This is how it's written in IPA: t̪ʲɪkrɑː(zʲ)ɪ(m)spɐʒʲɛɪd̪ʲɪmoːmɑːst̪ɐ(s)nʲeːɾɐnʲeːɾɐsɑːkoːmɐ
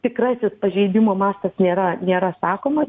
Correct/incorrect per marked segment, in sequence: incorrect: sʲ, incorrect: none, correct

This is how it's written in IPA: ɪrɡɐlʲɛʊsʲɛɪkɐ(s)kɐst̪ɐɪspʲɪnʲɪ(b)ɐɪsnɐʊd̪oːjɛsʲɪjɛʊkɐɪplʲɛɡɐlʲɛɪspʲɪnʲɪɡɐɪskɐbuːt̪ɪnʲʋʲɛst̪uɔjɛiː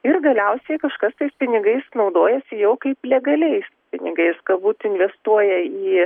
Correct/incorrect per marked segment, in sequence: incorrect: ʃ, incorrect: ɡ

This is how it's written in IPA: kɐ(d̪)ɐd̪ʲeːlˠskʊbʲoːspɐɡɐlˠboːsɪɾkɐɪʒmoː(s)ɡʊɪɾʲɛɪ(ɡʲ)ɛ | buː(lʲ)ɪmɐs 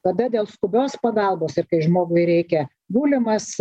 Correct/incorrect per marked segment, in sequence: correct, incorrect: none, incorrect: kʲ, correct

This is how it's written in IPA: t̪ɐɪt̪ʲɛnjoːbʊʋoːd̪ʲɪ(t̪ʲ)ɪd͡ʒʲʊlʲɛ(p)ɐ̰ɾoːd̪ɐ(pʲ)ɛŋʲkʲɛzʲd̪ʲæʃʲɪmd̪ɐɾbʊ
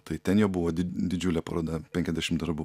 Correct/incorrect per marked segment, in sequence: incorrect: d̪ʲ, correct, correct

